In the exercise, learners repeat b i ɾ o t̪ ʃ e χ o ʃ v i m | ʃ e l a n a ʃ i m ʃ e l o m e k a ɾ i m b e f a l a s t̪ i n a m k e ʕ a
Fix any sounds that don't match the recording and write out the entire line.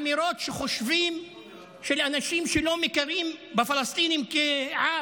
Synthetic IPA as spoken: m i ɾ o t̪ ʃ e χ o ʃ v i m | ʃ e l a n a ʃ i m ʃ e l o m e k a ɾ i m b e f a l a s t̪ i n i m k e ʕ a